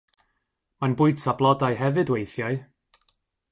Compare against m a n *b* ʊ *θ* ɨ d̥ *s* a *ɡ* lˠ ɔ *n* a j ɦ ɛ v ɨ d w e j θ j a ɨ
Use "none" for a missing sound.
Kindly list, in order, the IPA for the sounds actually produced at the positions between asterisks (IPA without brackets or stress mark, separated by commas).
b, none, s, b, d